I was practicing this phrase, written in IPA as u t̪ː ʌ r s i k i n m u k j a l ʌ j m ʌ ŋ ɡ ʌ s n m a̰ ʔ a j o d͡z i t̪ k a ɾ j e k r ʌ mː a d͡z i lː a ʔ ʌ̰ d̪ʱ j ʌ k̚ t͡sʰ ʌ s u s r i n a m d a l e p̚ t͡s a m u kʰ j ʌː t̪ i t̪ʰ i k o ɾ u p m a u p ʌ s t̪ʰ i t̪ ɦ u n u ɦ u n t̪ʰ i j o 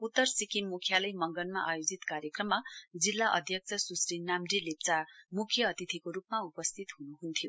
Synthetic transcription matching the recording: u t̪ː ʌ r s i k i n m u kʰ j a l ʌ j m ʌ ŋ ɡ ʌ n m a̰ ʔ a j o d͡z i t̪ k a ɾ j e k r ʌ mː a d͡z i lː a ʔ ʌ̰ d̪ʱ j ʌ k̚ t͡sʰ ʌ s u s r i n a m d i l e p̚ t͡s a m u kʰ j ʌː t̪ i t̪ʰ i k o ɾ u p m a u p ʌ s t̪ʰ i t̪ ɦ u n u ɦ u n t̪ʰ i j o